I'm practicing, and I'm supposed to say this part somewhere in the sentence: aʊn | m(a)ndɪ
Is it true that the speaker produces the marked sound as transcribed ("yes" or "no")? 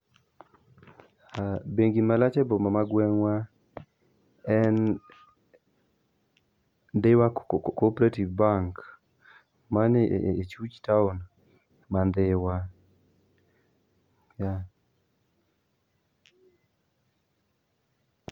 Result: yes